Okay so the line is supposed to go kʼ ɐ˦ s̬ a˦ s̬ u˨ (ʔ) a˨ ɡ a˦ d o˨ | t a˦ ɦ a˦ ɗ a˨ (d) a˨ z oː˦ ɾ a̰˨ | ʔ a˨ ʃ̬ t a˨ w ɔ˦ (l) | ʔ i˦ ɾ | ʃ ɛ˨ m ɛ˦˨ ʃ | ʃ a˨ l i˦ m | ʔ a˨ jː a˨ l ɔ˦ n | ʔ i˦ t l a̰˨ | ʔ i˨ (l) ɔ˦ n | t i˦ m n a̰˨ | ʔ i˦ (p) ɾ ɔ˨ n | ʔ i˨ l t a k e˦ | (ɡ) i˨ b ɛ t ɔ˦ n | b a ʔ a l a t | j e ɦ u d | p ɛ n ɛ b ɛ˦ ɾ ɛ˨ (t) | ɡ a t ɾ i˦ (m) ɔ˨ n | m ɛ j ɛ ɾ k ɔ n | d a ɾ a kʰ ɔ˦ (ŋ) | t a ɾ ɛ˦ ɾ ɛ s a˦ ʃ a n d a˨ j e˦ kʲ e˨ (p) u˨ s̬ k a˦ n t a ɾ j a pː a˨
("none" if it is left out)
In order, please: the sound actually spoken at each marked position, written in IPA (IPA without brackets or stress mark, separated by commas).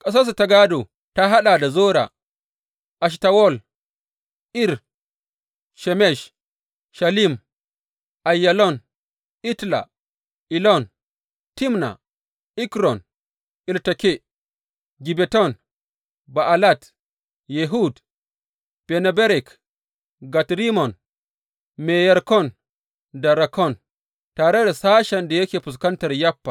t, d, l, l, k, ɡ, k, m, n, p